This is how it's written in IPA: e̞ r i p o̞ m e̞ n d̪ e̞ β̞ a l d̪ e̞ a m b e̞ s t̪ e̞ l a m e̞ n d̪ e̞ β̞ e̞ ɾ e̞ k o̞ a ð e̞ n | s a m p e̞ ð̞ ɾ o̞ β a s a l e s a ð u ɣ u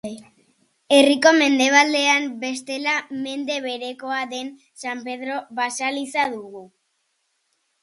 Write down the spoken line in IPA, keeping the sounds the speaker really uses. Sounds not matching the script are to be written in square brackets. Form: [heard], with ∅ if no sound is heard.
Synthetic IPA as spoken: e̞ r i [k] o̞ m e̞ n d̪ e̞ β̞ a l d̪ e̞ a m b e̞ s t̪ e̞ l a m e̞ n d̪ e̞ β̞ e̞ ɾ e̞ k o̞ a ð e̞ n | s a m p e̞ ð̞ ɾ o̞ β a s a l [i] s a ð u ɣ u